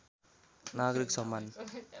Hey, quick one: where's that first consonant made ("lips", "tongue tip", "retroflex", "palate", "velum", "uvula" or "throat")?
tongue tip